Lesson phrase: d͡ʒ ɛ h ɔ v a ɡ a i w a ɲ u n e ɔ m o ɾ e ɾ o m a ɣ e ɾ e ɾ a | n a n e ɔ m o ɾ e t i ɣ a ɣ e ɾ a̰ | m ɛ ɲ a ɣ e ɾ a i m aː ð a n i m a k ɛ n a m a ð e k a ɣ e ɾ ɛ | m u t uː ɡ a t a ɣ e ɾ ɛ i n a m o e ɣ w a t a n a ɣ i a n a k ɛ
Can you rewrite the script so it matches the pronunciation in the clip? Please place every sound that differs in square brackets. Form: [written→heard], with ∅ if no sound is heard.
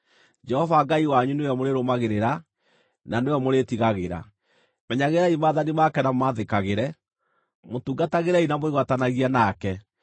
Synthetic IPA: d͡ʒ ɛ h ɔ v a ɡ a i w a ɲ u n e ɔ m o ɾ e ɾ o m a ɣ e ɾ e ɾ a | n a n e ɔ m o ɾ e t i ɣ a ɣ e ɾ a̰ | m ɛ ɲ a ɣ e ɾ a i m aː ð a n i m a k ɛ n a m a ð e k a ɣ e ɾ ɛ | m [u→o] t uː ɡ a t a ɣ e ɾ ɛ i n a m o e ɣ w a t a n a ɣ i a n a k ɛ